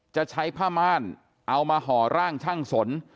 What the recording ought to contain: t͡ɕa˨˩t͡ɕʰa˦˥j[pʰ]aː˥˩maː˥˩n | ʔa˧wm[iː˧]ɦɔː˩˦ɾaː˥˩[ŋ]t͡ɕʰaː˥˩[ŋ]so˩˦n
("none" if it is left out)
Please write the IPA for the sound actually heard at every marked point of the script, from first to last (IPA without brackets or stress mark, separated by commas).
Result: pʰ, aː˧, ŋ, ŋ